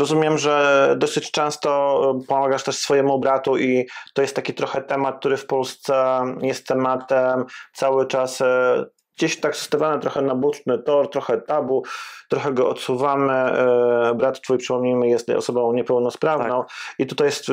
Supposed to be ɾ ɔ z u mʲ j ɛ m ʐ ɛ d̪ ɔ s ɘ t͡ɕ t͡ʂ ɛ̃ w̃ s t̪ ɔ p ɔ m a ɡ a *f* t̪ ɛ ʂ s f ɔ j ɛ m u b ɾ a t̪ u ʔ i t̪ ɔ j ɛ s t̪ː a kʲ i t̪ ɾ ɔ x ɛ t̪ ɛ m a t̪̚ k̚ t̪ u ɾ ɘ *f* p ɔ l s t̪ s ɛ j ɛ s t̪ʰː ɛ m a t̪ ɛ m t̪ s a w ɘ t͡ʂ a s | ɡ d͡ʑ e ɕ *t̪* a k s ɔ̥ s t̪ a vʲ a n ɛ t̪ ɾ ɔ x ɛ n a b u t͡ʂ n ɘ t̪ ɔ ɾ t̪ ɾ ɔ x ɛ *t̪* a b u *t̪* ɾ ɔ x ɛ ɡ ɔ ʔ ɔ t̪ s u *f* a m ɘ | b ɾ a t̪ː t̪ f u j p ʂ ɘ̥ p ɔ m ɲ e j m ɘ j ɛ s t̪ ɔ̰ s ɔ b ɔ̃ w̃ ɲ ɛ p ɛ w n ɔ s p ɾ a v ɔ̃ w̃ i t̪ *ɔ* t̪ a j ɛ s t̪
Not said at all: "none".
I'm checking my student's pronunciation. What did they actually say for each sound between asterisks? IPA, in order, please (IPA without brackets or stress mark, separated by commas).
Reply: ʂ, f, t̪, t̪, t̪, v, u